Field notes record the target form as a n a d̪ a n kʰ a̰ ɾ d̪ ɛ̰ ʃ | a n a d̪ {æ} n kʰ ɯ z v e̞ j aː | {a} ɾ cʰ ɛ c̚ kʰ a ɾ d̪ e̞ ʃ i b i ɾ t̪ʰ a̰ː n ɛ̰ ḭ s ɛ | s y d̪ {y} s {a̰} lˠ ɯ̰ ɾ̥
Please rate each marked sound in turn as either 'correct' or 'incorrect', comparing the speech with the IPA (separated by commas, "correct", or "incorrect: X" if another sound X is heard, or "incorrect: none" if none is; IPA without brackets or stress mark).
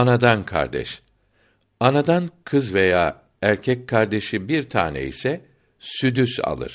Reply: incorrect: a, incorrect: æ, correct, correct